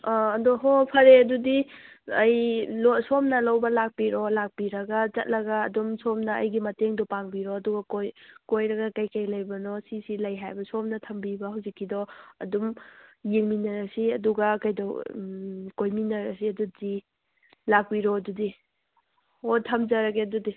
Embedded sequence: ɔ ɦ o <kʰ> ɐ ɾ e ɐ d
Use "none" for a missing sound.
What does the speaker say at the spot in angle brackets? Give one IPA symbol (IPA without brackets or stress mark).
pʰ